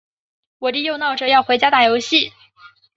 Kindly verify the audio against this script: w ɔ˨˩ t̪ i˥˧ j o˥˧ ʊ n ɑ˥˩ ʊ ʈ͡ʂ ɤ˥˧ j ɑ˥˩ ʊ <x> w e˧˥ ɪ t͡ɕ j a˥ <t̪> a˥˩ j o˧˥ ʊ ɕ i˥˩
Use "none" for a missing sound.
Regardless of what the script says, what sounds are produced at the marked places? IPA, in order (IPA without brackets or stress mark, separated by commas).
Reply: x, t̪